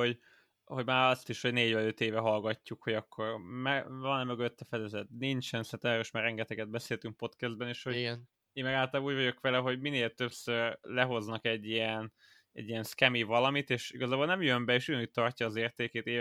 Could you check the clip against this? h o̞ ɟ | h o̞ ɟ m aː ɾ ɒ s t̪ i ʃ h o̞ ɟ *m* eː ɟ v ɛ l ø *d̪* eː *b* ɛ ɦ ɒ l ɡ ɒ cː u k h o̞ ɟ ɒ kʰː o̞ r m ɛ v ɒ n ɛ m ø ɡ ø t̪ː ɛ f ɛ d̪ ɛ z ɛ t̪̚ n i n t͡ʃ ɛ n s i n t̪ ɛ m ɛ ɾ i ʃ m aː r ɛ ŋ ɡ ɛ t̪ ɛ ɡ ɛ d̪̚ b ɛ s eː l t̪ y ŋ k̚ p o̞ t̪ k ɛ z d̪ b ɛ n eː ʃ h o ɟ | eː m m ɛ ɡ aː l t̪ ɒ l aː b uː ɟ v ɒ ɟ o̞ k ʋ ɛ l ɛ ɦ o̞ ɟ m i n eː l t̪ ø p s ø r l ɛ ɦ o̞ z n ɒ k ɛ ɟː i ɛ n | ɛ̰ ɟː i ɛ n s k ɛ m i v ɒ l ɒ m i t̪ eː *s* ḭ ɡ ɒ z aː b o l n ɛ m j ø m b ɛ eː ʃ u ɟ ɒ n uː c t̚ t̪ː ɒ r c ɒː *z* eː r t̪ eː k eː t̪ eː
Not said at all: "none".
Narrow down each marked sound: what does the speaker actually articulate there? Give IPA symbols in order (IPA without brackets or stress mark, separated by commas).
n, t̪, v, ʃ, z